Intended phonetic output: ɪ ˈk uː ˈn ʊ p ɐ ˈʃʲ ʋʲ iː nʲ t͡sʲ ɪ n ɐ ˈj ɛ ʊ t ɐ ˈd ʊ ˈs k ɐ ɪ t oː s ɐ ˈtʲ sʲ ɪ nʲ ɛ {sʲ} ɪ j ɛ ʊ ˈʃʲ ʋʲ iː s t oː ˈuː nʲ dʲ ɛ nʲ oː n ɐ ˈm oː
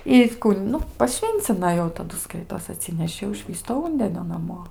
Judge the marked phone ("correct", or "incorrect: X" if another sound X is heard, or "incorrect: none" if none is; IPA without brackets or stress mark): incorrect: ʃʲ